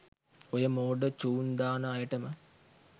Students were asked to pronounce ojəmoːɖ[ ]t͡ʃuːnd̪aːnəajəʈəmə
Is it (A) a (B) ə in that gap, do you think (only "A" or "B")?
B